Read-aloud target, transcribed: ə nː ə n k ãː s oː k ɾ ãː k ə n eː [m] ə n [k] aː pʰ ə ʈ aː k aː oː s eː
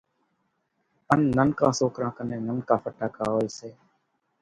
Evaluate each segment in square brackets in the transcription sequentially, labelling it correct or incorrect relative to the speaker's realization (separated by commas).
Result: incorrect, correct